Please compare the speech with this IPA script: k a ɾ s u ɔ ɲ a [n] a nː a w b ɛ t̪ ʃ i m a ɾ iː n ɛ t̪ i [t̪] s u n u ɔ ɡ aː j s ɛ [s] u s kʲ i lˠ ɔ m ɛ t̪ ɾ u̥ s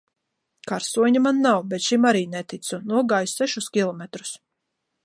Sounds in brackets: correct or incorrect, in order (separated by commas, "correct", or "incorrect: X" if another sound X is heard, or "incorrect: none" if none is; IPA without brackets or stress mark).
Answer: incorrect: m, correct, incorrect: ʃ